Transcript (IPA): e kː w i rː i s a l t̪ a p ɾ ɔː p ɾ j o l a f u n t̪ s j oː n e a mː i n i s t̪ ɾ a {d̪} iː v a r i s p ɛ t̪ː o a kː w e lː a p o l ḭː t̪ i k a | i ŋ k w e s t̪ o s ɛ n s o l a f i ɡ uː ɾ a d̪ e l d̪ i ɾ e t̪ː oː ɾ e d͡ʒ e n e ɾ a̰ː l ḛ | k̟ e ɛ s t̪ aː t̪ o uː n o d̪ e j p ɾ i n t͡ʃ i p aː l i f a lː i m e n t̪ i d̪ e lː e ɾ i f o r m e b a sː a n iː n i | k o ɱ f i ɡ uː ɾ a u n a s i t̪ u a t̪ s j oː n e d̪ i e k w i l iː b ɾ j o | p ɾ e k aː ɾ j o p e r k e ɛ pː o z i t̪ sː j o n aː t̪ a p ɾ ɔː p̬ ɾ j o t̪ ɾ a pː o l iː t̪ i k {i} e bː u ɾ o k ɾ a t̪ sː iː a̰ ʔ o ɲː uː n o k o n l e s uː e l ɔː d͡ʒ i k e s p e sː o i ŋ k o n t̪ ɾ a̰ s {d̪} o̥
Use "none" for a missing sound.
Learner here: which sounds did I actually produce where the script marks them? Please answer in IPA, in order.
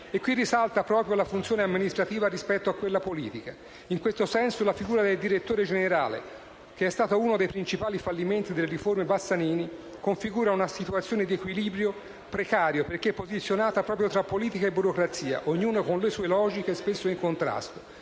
t̪, a, t̪

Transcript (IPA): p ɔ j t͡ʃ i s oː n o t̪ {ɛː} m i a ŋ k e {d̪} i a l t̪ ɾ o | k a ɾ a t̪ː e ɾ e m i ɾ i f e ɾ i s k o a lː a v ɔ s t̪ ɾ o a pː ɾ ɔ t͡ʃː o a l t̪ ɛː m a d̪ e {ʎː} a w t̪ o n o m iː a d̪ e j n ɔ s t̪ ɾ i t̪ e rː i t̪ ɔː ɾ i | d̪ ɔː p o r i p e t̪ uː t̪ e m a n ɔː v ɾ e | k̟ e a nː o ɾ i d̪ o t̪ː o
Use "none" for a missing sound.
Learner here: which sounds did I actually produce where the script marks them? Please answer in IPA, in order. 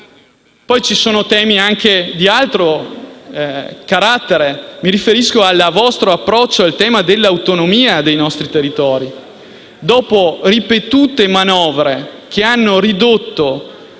ɛː, d̪, lː

